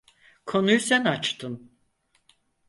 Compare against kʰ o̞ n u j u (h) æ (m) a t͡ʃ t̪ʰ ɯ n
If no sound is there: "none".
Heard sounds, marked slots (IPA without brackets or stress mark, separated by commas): s, n